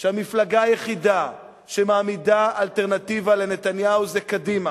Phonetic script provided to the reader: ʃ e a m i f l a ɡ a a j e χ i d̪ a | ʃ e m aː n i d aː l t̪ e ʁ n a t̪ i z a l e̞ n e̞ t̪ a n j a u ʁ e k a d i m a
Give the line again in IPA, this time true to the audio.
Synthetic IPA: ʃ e a m i f l a ɡ a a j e χ i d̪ a | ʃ e m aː m i d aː l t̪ e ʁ n a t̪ i v a l e̞ n e̞ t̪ a n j a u z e k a d i m a

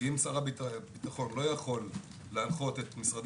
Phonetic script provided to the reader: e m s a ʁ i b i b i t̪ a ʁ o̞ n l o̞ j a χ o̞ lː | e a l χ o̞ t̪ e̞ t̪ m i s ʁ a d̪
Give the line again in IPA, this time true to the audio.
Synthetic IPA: i m s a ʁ a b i b i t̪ a χ o̞ n l o̞ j a χ o̞ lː | e a l χ o̞ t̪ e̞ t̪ m i s ʁ a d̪

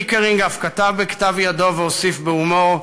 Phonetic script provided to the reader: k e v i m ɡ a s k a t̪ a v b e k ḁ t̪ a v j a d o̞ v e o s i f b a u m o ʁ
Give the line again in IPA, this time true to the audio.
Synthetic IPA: k e ʁ i ŋ ɡ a f k a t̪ a v b e k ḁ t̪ a v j a d o̞ v e o s i f b e u m o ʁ

